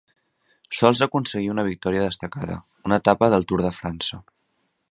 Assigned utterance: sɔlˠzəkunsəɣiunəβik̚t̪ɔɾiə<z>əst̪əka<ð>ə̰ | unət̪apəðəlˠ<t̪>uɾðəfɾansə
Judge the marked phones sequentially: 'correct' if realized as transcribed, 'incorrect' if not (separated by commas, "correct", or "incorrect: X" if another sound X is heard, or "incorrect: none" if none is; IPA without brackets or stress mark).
incorrect: ð, correct, correct